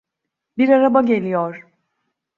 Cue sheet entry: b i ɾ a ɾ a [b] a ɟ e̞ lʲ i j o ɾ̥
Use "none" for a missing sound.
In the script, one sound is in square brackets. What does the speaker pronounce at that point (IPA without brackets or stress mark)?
b